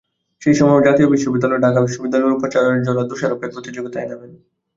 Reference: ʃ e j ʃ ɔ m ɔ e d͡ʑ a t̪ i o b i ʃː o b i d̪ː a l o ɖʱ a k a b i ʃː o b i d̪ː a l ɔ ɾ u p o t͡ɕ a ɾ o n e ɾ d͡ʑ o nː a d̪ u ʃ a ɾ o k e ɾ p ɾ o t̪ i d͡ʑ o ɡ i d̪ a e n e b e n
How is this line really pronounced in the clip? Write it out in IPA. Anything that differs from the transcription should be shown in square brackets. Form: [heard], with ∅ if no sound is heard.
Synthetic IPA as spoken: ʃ e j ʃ ɔ m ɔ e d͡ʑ a t̪ i o b i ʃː o b i d̪ː a l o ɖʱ a k a b i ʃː o b i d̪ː a l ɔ ɾ u p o t͡ɕ a ɾ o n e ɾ d͡ʑ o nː a d̪ u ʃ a ɾ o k e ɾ p ɾ o t̪ i d͡ʑ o ɡ i [t̪] a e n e b e n

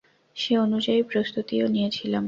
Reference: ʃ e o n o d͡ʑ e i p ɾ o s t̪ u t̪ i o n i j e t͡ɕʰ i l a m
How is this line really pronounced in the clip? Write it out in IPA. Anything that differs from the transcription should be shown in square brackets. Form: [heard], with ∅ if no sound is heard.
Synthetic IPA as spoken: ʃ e o n [u] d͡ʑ [a] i p ɾ o s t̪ u t̪ i o n i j e t͡ɕʰ i l a m

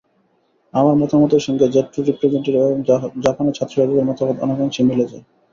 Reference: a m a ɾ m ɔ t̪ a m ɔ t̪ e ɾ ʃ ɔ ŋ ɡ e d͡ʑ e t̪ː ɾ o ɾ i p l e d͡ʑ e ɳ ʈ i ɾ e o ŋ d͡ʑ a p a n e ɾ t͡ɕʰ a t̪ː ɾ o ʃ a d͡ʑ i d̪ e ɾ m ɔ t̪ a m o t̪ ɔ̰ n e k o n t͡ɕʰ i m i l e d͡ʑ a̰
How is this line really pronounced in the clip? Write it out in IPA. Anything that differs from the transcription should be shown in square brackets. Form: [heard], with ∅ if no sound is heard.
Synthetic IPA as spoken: a m a ɾ m ɔ t̪ a m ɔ t̪ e ɾ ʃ ɔ ŋ ɡ e d͡ʑ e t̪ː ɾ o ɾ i p [ɾ] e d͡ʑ e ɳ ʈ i ɾ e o ŋ d͡ʑ a p a n e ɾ t͡ɕʰ a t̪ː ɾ o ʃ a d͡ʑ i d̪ e ɾ m ɔ t̪ a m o t̪ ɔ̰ n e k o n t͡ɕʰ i m i l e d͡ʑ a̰

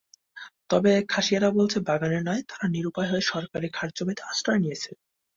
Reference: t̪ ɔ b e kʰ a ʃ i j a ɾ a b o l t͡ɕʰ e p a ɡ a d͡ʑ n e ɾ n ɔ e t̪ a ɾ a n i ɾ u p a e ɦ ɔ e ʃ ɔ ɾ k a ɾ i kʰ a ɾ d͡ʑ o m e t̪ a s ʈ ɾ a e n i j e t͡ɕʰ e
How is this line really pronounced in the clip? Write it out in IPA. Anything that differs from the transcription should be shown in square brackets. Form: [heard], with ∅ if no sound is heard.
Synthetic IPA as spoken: t̪ ɔ b e kʰ a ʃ i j a ɾ a b o l t͡ɕʰ e [b] a ɡ a [∅] n e ɾ n ɔ e t̪ a ɾ a n i ɾ u p a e ɦ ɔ e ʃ ɔ ɾ k a ɾ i kʰ a ɾ d͡ʑ o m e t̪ a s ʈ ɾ a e n i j e t͡ɕʰ e

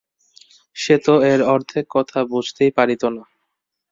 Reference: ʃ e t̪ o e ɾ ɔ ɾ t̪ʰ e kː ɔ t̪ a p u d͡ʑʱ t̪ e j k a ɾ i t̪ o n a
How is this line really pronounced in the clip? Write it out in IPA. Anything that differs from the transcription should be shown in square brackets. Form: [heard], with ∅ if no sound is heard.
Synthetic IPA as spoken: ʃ e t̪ o e ɾ ɔ ɾ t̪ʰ e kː ɔ [t̪ʰ] a [b] u d͡ʑʱ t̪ e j [p] a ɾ i t̪ o n a

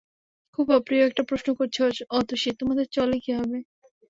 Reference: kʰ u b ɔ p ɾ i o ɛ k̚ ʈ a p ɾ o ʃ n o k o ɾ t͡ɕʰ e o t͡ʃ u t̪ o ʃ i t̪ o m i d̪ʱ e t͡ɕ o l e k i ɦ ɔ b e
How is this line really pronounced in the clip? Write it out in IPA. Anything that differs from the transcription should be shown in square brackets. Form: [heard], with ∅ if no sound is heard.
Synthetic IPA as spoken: kʰ u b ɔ p ɾ i o ɛ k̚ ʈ a p ɾ o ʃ n o k o ɾ t͡ɕʰ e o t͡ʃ [ɔ] t̪ o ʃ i t̪ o m [a] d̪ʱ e t͡ɕ [ɔ] l e k i ɦ ɔ b e

